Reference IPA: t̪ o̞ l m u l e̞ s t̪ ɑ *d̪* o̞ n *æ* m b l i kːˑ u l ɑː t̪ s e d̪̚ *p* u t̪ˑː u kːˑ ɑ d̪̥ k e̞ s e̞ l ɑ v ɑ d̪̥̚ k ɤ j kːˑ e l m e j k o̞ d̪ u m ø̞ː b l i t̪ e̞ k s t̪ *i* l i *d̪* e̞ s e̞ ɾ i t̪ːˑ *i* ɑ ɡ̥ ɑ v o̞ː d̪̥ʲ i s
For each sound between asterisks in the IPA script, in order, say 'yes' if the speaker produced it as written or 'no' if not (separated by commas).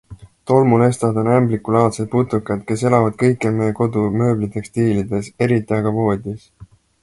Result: yes, yes, yes, no, yes, yes